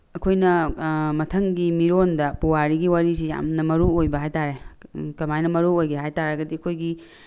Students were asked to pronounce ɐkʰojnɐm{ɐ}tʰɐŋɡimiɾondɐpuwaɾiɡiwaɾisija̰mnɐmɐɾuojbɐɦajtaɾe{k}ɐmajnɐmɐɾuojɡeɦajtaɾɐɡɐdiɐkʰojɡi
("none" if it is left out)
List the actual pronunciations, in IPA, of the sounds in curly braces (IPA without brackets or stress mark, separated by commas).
ɐ, k